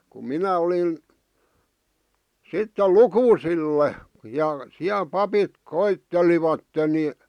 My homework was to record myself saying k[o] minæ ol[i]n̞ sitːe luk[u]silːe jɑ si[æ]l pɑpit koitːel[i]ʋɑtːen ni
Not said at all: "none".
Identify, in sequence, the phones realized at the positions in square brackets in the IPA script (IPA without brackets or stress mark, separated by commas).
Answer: u, i, uː, æ, i